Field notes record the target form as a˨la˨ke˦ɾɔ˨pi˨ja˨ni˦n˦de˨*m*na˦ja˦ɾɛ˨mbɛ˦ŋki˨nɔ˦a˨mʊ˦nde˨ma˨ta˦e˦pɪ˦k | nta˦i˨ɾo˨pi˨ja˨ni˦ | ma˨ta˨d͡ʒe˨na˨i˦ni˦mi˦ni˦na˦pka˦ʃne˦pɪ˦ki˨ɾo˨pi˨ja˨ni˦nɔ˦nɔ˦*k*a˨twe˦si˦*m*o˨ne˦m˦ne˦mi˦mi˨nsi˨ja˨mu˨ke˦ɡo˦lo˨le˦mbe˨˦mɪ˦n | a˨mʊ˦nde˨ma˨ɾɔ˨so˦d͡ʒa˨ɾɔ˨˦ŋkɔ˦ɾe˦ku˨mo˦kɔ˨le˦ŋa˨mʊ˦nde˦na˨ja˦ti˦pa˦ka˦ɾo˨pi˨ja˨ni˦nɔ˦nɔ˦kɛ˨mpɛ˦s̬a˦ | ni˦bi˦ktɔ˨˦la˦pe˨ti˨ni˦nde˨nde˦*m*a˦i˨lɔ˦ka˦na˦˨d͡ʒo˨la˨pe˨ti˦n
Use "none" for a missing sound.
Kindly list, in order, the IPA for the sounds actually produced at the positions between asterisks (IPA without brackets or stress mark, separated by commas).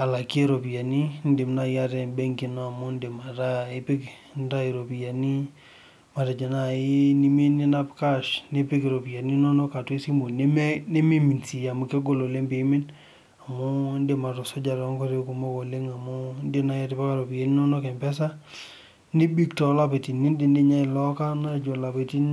m, k, m, ɲ